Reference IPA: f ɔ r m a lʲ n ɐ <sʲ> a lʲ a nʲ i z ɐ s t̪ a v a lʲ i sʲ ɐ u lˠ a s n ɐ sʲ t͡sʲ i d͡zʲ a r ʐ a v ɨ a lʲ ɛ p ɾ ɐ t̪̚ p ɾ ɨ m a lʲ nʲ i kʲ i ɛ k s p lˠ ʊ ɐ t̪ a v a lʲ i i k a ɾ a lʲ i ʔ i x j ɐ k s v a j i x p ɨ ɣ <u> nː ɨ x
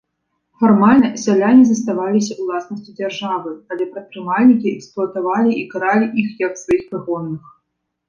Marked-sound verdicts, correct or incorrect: correct, incorrect

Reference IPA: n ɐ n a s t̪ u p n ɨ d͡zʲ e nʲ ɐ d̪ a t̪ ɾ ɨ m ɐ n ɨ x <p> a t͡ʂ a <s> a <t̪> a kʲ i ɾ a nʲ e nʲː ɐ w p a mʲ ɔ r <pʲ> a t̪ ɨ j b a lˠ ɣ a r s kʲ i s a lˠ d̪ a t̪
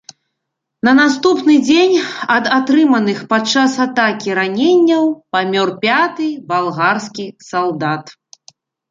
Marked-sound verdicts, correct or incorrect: correct, correct, correct, correct

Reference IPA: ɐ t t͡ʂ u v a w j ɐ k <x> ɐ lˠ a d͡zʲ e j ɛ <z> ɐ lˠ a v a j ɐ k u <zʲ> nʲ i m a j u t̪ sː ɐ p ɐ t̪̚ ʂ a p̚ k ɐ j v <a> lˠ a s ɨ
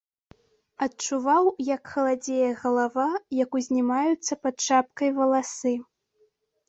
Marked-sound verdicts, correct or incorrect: correct, incorrect, correct, incorrect

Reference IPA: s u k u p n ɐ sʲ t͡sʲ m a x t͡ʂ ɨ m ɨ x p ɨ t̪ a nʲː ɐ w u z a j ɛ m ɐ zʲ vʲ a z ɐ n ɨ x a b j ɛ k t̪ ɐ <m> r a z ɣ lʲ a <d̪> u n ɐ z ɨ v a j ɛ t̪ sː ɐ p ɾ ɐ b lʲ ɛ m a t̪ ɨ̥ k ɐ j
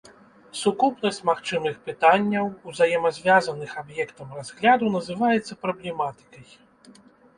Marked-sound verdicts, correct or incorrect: correct, correct

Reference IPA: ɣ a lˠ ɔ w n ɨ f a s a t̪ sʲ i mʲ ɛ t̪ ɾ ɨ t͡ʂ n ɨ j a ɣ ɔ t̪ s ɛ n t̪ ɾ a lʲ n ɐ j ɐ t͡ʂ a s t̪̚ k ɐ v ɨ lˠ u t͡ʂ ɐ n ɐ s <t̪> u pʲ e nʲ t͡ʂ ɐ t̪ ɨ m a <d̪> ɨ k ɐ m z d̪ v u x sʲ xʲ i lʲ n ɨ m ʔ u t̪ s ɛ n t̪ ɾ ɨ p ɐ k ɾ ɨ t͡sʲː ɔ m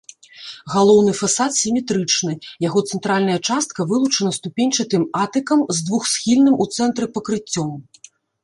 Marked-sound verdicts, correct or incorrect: correct, incorrect

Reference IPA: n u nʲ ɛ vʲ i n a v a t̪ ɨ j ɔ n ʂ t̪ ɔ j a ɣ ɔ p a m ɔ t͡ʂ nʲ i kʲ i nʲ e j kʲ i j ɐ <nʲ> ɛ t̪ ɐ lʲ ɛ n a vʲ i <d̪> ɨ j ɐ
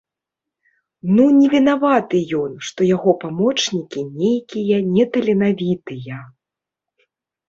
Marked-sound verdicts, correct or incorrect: correct, incorrect

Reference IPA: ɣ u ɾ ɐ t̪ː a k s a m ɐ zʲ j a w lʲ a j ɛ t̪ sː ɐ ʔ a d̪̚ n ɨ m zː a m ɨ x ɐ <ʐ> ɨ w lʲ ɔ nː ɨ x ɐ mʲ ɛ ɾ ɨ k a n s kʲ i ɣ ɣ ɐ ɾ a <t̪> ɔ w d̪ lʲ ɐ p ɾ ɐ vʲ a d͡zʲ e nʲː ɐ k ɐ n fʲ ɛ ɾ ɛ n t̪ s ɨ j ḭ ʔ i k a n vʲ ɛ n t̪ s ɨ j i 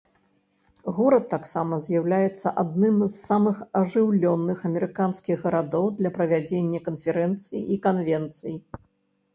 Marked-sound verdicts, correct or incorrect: correct, incorrect

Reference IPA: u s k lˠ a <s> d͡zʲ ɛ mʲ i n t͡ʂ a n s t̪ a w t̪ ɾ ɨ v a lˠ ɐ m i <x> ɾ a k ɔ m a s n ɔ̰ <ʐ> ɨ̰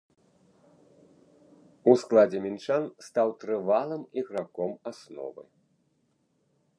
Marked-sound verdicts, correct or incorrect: incorrect, incorrect, incorrect

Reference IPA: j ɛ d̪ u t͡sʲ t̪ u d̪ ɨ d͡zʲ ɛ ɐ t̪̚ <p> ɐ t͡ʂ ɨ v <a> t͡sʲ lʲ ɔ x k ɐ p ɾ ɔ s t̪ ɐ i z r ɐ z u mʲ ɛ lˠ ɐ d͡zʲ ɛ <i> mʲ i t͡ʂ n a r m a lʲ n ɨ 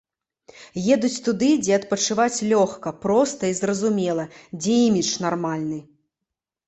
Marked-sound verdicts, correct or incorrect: correct, correct, correct

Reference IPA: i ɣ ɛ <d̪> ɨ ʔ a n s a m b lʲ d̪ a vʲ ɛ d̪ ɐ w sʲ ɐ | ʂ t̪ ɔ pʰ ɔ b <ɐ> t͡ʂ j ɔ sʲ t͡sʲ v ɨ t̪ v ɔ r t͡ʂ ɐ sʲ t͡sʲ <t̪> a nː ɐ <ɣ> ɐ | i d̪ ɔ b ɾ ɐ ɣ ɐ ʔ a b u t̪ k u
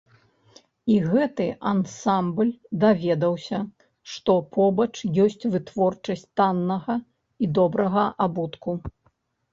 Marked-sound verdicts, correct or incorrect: incorrect, correct, correct, correct

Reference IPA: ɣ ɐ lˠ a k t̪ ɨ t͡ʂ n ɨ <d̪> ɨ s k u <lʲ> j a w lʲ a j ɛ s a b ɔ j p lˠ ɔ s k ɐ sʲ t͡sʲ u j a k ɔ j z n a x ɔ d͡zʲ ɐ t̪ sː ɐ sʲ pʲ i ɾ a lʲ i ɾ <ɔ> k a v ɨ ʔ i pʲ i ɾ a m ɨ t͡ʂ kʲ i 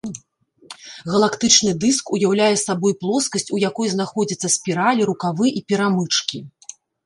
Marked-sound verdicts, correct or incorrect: correct, incorrect, incorrect

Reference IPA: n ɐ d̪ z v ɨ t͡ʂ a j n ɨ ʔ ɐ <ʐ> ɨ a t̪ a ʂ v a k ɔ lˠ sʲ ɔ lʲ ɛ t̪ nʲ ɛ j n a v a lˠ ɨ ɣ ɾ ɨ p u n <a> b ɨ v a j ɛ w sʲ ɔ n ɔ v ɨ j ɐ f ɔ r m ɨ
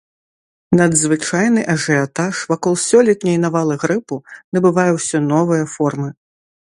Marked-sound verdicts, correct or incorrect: correct, incorrect

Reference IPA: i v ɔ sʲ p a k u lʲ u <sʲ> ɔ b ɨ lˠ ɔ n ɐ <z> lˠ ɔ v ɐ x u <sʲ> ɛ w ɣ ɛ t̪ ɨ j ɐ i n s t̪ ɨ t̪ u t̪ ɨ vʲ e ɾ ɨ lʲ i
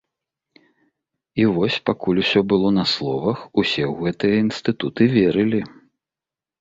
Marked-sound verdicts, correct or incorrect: correct, incorrect, correct

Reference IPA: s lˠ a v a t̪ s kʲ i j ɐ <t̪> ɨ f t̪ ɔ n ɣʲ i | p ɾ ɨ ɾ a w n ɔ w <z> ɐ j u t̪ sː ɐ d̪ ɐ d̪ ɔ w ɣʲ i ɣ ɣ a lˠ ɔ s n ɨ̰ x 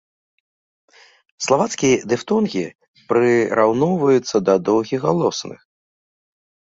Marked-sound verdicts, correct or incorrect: incorrect, incorrect

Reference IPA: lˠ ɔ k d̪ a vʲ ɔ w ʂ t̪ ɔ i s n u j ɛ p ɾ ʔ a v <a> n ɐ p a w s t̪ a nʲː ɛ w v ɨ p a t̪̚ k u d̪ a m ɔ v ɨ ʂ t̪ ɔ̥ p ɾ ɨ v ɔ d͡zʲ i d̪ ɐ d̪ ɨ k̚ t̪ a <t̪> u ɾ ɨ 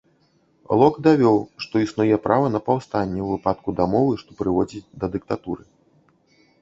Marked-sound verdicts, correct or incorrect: incorrect, correct

